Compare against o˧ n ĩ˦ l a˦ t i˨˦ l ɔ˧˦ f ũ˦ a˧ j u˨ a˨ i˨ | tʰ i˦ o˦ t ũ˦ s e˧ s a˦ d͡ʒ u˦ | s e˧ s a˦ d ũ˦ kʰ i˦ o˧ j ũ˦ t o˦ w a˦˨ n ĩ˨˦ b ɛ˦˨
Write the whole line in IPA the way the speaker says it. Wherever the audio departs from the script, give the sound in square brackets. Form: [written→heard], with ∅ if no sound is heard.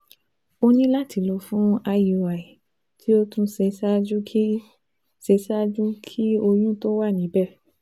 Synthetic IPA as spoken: o˧ n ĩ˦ l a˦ t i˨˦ l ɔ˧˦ f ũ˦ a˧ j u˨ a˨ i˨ | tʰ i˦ o˦ t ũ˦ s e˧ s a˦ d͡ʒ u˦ | s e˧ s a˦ [d→d͡ʒ] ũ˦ kʰ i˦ o˧ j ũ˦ t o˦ w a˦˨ n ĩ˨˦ b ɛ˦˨